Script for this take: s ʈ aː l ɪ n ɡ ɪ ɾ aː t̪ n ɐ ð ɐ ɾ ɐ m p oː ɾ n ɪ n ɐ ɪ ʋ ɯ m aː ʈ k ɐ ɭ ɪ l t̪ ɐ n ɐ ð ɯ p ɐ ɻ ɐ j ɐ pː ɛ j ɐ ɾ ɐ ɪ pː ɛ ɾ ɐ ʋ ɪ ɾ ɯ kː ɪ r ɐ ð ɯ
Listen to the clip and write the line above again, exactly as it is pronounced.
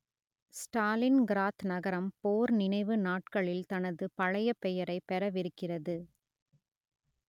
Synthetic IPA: s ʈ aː l ɪ n ɡ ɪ ɾ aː t̪ n ɐ ɣ ɐ ɾ ɐ m p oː ɾ n ɪ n ɐ ɪ ʋ ɯ n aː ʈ k ɐ ɭ ɪ l t̪ ɐ n ɐ ð ɯ p ɐ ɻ ɐ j ɐ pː ɛ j ɐ ɾ ɐ ɪ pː ɛ ɾ ɐ ʋ ɪ ɾ ɯ kː ɪ r ɐ ð ɯ